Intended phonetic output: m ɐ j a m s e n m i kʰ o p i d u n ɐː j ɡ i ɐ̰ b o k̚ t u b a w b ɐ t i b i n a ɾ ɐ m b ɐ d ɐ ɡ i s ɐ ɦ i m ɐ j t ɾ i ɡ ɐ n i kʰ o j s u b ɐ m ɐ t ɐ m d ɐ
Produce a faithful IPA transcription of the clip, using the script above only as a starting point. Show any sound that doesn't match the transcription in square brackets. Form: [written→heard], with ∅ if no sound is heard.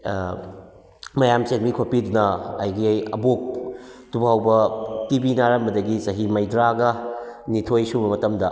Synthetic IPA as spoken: m ɐ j a m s e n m i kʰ o p i d u n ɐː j ɡ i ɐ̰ b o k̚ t u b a w b ɐ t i b i n a ɾ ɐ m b ɐ d ɐ ɡ i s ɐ ɦ i m ɐ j [t→d] ɾ [i→a] ɡ ɐ n i [kʰ→tʰ] o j s u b ɐ m ɐ t ɐ m d ɐ